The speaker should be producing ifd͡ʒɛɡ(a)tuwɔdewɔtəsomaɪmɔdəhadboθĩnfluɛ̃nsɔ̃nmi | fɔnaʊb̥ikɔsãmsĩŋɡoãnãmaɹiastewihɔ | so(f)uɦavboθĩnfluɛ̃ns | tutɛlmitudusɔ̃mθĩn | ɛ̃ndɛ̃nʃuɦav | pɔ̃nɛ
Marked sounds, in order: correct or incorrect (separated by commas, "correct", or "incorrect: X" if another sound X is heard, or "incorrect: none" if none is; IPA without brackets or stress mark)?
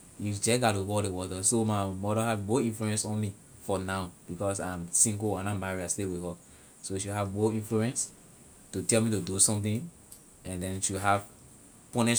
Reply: correct, incorrect: ʃ